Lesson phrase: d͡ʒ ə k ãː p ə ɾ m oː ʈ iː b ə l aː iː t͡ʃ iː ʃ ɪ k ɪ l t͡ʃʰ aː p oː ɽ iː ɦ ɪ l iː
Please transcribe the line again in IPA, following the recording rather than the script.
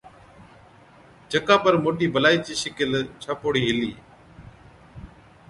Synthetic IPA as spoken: d͡ʒ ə k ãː p ə ɾ m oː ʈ iː b ə l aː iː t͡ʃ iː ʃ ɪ k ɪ l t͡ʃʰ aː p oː ɽ iː ɦ ɪ l iː